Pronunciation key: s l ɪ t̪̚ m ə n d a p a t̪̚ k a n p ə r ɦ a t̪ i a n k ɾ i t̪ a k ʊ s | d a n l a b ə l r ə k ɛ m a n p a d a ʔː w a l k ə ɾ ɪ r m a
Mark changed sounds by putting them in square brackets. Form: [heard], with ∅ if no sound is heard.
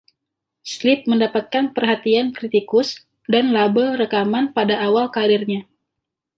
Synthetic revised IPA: s l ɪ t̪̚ m ə n d a p a t̪̚ k a n p ə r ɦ a t̪ i a n k ɾ i t̪ [i] k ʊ s | d a n l a b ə l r ə k [a] m a n p a d a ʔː w a l k [a] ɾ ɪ r [ɲ] a